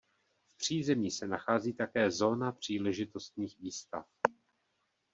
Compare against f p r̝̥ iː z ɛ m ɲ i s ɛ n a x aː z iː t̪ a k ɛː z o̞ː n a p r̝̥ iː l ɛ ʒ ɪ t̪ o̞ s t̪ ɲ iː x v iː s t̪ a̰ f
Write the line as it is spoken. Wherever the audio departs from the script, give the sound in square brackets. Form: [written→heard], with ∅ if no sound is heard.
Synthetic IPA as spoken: f p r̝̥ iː z ɛ m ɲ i s ɛ n a x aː z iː t̪ a k ɛː z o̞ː n a p r̝̥ iː l ɛ ʒ ɪ t̪ o̞ s t̪ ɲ iː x v iː s t̪ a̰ f

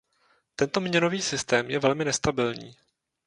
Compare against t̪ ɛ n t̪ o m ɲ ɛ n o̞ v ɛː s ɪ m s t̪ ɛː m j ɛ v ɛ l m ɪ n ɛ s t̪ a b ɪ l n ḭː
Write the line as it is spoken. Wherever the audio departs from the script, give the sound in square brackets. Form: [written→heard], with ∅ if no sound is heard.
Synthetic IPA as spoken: t̪ ɛ n t̪ o m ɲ ɛ n o̞ v [ɛː→iː] s ɪ [m→∅] s t̪ ɛː m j ɛ v ɛ l m ɪ n ɛ s t̪ a b ɪ l [n→ɲ] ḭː

